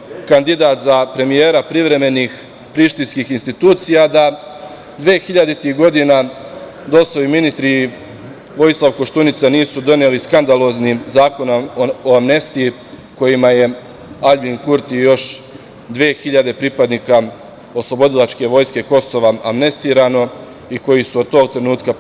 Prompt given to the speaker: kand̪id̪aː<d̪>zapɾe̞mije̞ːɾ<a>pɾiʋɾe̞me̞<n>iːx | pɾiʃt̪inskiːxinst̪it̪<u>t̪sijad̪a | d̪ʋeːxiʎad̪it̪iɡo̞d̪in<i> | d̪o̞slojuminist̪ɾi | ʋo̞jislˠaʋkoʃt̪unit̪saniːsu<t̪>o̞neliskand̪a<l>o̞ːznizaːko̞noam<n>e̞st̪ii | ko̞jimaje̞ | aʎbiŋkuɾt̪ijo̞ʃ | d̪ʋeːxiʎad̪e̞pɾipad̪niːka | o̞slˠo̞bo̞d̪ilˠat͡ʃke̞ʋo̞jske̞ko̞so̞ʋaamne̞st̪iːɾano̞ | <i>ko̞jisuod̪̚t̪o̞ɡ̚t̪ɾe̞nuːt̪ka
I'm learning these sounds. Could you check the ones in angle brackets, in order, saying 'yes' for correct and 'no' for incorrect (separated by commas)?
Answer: no, yes, yes, no, no, no, yes, yes, yes